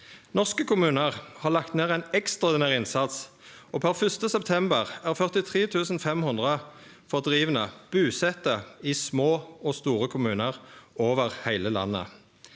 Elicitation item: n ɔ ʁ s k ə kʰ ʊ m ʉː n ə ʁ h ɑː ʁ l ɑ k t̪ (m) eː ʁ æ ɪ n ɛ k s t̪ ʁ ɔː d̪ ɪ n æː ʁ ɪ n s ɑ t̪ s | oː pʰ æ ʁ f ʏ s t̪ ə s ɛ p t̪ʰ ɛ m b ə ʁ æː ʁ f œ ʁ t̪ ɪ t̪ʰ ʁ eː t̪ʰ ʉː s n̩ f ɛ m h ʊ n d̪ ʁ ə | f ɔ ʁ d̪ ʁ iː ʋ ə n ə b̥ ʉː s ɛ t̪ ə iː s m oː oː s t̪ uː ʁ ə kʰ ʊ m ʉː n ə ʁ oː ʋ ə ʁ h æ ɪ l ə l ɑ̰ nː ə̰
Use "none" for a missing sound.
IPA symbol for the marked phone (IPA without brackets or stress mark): n